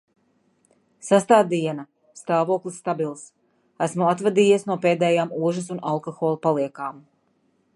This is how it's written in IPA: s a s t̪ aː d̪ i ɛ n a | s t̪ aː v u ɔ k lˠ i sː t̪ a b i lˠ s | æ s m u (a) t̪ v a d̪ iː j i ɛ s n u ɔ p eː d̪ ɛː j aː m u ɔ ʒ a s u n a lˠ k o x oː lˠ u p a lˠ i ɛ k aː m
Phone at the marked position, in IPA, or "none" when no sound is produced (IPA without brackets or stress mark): a